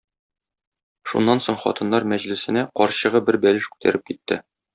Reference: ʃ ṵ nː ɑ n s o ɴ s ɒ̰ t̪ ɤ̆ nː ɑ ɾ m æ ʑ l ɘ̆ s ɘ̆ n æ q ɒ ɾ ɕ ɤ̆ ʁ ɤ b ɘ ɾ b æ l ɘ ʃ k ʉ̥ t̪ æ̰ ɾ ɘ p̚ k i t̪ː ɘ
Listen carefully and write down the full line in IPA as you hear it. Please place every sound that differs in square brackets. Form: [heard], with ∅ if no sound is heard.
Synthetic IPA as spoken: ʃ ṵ nː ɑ n s o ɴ [χ] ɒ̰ t̪ ɤ̆ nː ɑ ɾ m æ ʑ l ɘ̆ s ɘ̆ n æ q ɒ ɾ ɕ ɤ̆ ʁ ɤ b ɘ ɾ b æ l ɘ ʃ k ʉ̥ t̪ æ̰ ɾ ɘ p̚ k i t̪ː ɘ